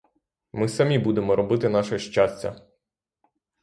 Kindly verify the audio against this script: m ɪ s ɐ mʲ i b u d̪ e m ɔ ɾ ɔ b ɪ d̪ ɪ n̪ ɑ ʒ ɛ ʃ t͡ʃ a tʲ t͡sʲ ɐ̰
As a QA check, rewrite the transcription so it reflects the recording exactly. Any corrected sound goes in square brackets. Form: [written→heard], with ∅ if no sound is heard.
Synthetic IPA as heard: m ɪ s ɐ mʲ i b u d̪ e m ɔ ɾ ɔ b ɪ [d̪→t̪] ɪ n̪ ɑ [ʒ→ʃ] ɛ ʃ t͡ʃ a [tʲ→sʲ] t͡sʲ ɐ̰